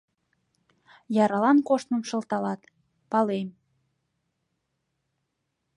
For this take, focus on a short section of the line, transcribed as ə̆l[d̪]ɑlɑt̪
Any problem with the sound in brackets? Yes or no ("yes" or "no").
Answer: yes